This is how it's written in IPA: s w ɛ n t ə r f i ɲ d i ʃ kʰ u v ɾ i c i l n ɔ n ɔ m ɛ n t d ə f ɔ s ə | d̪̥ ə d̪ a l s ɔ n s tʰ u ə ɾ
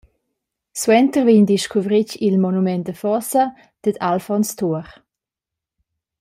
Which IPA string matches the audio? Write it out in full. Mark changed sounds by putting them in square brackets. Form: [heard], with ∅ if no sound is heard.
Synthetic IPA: s w ɛ n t ə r [v] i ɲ d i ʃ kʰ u v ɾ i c i l [m] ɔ n [u] m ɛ n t d ə f ɔ s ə | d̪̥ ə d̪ a l [f] ɔ n s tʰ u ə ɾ